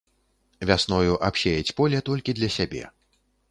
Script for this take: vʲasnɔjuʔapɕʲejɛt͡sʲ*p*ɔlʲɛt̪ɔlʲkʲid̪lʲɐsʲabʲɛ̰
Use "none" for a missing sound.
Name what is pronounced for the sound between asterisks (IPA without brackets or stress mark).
p